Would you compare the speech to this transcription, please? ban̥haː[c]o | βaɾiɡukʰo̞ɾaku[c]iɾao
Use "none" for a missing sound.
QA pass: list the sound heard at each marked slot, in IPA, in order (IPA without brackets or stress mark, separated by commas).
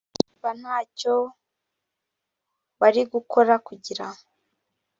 c, ɟ